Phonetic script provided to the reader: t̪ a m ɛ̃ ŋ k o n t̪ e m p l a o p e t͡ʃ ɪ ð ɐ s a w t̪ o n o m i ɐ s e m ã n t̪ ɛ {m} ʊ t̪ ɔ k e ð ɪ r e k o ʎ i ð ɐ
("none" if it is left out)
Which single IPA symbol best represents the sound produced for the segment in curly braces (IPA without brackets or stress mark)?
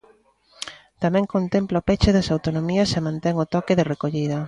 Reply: ŋ